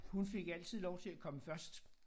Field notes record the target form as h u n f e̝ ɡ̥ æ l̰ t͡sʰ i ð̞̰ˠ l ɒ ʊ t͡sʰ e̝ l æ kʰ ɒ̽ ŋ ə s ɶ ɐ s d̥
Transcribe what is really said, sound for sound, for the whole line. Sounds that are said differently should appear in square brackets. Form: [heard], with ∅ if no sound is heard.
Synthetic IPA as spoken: h u n f e̝ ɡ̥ æ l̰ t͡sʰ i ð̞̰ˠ l ɒ ʊ t͡sʰ e̝ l æ kʰ ɒ̽ [m] ə [f] ɶ ɐ s d̥